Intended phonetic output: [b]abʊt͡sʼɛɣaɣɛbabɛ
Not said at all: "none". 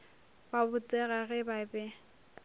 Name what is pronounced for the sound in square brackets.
b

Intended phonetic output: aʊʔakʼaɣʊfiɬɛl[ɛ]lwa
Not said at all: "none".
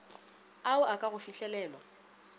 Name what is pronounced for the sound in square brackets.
ɛː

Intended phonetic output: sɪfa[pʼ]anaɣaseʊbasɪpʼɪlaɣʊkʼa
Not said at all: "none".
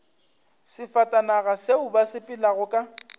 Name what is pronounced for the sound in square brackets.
tʼ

